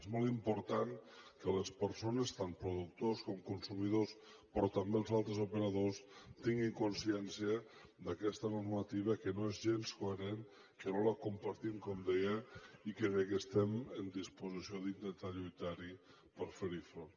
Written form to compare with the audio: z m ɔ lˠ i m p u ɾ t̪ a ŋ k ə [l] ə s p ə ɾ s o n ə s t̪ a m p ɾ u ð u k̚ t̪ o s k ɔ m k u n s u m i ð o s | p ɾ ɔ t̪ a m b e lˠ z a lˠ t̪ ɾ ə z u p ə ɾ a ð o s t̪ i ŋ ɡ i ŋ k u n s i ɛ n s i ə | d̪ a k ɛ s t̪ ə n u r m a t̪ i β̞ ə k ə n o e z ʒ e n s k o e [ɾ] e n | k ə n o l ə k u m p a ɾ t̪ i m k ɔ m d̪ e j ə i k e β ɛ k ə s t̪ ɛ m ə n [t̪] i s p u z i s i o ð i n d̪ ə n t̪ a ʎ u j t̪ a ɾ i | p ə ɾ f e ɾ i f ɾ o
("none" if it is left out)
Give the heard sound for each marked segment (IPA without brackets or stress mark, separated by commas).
l, ɾ, d̪